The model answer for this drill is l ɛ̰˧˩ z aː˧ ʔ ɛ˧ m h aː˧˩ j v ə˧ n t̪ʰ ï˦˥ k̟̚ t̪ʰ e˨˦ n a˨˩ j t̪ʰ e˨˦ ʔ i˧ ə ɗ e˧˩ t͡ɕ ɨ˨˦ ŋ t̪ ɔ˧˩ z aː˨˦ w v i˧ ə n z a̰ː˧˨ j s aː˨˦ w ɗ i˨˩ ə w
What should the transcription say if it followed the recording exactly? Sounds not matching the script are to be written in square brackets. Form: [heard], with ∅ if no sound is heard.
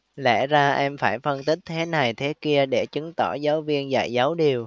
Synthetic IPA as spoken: l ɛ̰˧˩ z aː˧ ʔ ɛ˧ m [f] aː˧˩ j [f] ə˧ n [t̪] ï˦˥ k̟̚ t̪ʰ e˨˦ n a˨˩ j t̪ʰ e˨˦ [k] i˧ ə ɗ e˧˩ t͡ɕ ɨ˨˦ ŋ t̪ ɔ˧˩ z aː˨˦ w v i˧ ə n z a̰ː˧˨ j [z] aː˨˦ w ɗ i˨˩ ə w